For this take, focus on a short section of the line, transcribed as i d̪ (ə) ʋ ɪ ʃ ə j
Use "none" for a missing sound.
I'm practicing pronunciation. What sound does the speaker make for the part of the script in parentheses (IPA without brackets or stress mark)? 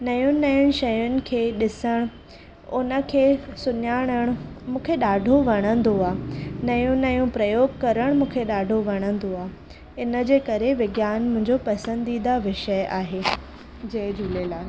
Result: a